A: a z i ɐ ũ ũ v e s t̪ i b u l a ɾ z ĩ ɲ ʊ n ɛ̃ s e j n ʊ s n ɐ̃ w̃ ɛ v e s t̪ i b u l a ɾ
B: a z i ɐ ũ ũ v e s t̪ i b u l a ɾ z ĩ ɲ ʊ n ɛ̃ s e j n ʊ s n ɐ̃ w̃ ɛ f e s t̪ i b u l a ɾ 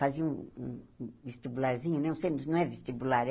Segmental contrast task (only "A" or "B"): A